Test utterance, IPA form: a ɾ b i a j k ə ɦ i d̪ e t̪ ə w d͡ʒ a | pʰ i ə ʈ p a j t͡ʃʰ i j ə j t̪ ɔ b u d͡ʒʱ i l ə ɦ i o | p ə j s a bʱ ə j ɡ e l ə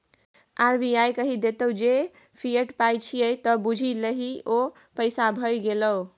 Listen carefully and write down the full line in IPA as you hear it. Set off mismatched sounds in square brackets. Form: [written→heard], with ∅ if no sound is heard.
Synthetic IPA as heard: a ɾ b i a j k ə ɦ i d̪ e t̪ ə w d͡ʒ [a→e] | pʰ i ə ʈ p a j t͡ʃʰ i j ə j t̪ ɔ b u d͡ʒʱ i l ə ɦ i o | p ə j s a bʱ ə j ɡ e l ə